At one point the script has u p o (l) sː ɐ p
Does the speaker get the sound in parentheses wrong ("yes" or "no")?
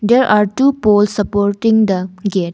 no